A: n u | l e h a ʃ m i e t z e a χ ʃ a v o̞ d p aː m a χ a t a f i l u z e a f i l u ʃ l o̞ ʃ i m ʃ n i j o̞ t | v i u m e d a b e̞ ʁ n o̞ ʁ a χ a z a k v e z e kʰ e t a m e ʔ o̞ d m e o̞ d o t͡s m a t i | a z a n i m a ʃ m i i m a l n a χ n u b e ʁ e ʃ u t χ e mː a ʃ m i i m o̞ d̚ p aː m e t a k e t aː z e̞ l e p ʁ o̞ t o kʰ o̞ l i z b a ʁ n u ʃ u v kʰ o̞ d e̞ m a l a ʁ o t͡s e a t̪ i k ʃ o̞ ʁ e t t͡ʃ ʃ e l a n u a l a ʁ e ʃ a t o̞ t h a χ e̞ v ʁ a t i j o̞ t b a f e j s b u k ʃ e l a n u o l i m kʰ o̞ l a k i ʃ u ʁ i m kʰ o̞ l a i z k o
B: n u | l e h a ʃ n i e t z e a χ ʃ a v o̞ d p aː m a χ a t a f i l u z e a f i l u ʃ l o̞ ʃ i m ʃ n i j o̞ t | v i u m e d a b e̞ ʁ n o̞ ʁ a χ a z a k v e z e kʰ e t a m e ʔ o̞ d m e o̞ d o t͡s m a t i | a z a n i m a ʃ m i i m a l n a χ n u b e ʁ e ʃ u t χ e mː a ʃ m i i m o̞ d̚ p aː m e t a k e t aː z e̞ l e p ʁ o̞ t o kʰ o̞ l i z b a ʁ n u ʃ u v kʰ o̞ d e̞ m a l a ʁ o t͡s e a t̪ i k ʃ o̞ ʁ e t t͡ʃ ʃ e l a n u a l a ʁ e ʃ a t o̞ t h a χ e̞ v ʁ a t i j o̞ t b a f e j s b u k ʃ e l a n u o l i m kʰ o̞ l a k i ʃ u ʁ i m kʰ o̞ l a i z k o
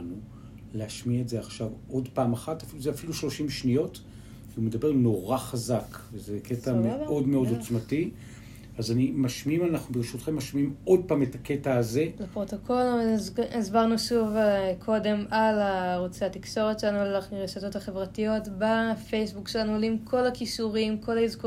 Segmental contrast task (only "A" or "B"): A